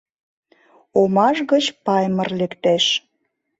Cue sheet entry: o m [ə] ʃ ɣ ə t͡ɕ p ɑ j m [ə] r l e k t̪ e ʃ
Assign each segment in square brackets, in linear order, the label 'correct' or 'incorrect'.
incorrect: ɑ, correct

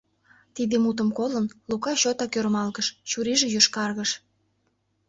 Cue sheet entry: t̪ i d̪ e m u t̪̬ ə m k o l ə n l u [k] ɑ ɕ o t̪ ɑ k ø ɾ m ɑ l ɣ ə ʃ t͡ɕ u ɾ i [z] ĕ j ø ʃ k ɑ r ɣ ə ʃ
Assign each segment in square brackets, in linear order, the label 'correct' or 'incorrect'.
correct, incorrect: ʒ

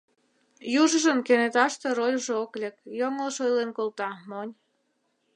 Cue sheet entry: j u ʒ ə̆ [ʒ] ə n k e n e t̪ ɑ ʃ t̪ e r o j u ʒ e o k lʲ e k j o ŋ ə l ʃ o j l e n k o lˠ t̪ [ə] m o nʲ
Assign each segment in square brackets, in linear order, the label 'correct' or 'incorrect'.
correct, incorrect: ɑ

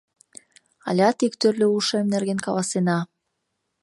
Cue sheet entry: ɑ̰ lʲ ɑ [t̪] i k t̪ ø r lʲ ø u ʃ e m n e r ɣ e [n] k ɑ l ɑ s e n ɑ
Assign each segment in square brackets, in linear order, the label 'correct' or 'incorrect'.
correct, correct

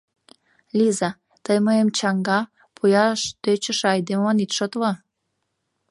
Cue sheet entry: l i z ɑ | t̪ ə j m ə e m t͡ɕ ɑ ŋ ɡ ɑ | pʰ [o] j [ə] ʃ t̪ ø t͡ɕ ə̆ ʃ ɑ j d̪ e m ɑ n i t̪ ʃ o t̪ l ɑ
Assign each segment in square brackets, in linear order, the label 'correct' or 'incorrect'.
incorrect: u, incorrect: ɑ

